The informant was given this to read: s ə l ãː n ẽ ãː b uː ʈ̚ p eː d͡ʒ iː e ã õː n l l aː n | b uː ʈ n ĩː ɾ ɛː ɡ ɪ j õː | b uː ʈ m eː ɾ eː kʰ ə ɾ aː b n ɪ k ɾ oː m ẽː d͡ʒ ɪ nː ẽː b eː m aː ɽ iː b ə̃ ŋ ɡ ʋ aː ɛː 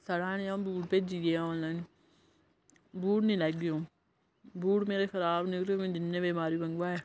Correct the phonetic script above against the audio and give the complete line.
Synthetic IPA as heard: s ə ɽ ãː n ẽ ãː b uː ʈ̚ p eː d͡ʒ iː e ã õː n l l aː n | b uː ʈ n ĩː l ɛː ɡ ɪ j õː | b uː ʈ m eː ɾ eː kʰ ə ɾ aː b n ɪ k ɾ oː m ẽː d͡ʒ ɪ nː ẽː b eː m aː ɾ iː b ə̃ ŋ ɡ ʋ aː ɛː